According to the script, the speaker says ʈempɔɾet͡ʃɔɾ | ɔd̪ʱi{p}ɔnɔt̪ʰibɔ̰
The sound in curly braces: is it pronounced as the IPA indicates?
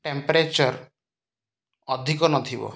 no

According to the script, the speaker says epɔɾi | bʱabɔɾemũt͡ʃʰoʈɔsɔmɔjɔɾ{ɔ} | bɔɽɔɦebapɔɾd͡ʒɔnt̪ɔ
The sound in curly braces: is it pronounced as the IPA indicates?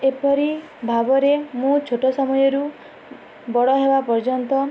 no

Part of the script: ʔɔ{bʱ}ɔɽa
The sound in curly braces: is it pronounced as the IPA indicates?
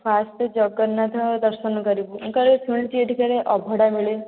yes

